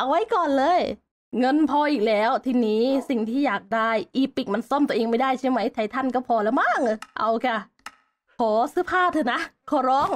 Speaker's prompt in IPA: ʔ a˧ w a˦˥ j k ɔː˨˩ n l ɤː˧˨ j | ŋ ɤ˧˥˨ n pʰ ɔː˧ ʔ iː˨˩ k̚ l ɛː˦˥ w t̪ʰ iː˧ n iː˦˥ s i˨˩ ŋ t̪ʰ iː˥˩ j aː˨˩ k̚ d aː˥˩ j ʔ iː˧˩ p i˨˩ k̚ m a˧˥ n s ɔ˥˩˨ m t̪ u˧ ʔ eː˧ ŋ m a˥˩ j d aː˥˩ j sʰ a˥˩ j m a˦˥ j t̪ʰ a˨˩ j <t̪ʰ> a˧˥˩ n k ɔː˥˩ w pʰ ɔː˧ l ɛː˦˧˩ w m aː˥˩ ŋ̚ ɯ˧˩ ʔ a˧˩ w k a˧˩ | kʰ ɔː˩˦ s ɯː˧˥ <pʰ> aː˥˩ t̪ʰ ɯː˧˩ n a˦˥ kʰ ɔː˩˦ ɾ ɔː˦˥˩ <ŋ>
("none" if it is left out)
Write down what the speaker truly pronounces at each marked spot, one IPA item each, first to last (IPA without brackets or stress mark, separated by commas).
t̪ʰ, pʰ, ŋ